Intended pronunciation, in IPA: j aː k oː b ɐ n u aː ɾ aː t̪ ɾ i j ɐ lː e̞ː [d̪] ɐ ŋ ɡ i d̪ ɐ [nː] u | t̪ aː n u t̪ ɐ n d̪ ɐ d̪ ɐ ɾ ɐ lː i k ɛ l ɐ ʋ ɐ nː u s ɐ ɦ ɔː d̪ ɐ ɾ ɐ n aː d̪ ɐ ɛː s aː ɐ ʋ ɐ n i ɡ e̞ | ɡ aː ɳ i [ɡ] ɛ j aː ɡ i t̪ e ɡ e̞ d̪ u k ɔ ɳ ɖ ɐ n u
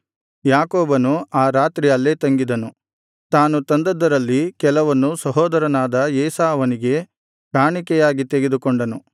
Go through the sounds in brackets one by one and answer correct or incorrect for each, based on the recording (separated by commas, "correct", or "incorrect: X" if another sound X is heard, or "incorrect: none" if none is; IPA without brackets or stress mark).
incorrect: t̪, incorrect: n, incorrect: k